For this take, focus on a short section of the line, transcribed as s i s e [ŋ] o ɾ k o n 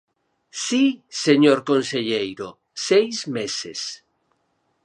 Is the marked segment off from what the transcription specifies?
yes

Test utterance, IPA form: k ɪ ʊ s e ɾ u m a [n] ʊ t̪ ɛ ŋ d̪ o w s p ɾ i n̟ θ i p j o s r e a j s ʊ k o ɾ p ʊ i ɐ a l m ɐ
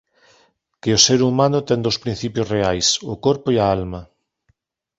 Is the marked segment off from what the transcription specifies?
no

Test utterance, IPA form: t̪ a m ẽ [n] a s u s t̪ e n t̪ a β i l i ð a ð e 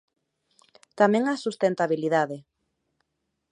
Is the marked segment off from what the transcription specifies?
yes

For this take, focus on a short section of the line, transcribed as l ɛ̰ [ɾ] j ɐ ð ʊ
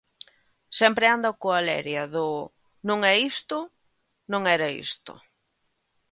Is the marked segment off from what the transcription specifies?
no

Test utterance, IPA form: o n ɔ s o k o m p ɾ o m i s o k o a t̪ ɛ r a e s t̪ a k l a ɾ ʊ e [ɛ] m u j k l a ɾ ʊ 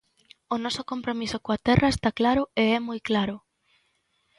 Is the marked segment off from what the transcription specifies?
no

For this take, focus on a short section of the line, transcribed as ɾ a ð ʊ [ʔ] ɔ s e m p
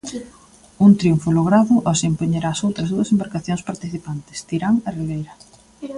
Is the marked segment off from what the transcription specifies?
no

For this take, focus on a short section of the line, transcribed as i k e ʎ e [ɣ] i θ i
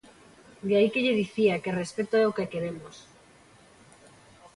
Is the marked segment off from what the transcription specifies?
yes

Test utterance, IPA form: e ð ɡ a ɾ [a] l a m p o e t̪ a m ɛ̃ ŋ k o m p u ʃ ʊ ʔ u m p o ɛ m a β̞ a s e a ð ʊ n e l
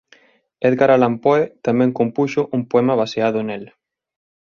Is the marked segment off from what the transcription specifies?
no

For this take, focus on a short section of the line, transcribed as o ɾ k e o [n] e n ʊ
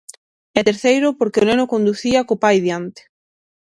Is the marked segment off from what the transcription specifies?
no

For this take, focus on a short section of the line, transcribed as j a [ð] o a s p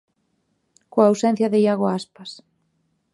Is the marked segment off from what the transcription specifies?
yes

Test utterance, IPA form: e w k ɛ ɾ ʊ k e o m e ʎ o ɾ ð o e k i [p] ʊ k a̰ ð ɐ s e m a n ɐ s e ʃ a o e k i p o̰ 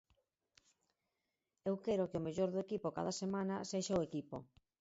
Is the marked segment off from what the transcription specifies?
no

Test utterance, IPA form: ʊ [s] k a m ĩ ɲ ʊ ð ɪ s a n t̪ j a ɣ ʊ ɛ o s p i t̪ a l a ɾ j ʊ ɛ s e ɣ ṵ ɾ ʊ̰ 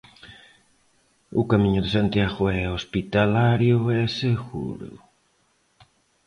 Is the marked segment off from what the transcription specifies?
yes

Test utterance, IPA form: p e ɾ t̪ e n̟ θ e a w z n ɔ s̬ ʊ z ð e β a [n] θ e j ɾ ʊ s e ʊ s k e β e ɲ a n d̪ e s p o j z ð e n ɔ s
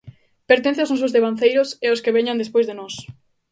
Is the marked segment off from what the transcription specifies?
no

